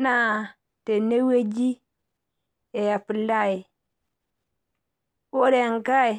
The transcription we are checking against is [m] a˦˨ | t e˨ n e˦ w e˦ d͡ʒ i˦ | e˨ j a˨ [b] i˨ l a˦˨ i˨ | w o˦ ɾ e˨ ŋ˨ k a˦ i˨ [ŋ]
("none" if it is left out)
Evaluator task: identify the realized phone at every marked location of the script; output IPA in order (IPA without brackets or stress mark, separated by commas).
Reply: n, p, none